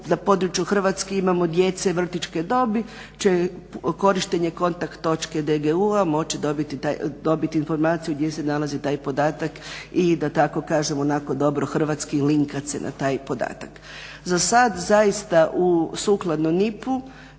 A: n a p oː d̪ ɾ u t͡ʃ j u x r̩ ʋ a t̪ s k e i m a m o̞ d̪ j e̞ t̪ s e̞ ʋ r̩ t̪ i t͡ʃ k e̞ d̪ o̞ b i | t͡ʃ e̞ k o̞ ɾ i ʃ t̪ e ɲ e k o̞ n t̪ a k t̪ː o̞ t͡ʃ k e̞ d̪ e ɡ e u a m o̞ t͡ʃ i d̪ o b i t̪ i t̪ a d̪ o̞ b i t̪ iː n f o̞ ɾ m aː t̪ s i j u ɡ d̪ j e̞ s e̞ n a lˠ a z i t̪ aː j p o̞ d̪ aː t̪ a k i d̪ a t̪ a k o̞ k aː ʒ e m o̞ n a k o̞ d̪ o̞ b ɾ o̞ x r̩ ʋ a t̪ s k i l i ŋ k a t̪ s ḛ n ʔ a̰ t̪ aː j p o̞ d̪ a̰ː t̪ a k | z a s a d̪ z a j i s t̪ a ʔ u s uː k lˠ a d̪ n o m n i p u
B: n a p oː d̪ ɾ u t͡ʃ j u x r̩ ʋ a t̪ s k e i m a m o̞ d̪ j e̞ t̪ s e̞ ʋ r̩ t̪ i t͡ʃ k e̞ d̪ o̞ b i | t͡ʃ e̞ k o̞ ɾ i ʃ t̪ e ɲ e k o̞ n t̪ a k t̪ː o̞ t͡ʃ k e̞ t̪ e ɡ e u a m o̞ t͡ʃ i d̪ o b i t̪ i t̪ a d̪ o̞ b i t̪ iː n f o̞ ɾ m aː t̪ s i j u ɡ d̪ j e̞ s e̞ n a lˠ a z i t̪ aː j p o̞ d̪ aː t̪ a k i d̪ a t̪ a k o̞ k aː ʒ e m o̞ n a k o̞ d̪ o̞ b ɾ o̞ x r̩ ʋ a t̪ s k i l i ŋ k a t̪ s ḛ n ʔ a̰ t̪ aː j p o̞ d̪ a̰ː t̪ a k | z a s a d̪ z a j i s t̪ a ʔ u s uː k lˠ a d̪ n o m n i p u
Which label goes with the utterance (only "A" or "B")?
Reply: A